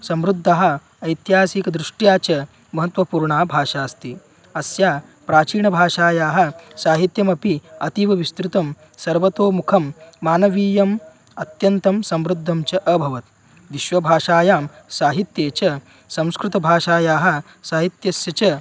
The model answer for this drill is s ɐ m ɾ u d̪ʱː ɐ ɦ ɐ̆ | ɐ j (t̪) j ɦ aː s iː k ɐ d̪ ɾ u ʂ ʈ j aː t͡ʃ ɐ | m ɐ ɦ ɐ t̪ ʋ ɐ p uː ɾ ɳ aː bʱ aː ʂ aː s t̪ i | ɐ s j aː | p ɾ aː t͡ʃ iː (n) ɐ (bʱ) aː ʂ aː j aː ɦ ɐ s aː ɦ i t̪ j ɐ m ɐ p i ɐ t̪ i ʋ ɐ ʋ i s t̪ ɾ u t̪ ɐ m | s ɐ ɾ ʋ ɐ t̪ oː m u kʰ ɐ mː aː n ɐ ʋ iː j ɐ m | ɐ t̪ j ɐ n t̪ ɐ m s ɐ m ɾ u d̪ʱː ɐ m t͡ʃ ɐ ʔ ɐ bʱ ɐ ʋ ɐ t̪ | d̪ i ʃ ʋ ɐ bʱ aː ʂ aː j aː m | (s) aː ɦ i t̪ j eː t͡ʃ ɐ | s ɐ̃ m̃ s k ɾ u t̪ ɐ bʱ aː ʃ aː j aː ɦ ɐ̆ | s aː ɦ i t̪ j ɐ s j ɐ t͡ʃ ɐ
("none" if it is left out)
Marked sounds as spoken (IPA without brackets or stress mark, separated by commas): t̪, ɳ, bʱ, s